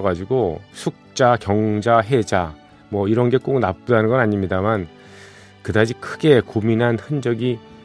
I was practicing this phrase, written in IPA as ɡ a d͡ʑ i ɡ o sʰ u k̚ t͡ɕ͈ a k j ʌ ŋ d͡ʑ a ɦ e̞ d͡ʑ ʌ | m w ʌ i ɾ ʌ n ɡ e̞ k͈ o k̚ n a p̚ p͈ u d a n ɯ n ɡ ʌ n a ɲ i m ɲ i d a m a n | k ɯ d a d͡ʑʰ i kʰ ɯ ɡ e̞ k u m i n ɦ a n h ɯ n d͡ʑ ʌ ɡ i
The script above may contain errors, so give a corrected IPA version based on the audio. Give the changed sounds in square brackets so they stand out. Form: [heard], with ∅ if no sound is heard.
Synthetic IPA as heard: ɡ a d͡ʑ i ɡ o sʰ u k̚ t͡ɕ͈ a k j ʌ ŋ d͡ʑ a ɦ e̞ d͡ʑ [a] | m w ʌ i ɾ ʌ n ɡ e̞ k͈ o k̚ n a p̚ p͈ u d a n ɯ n ɡ ʌ n a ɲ i m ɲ i d a m a n | k ɯ d a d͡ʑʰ i kʰ ɯ ɡ e̞ k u m i n ɦ a n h ɯ n d͡ʑ ʌ ɡ i